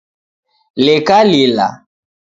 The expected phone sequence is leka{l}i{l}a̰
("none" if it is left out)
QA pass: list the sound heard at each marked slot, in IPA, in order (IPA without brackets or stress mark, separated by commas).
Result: l, l